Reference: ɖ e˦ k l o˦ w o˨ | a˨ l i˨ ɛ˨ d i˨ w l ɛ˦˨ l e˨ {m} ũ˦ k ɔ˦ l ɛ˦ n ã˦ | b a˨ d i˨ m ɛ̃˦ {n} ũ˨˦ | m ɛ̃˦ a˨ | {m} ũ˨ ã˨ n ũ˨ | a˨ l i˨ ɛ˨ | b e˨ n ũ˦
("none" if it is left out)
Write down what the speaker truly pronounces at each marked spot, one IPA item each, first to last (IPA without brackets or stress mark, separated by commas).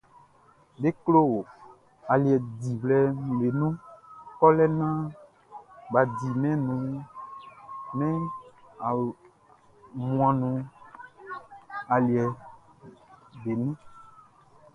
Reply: n, n, m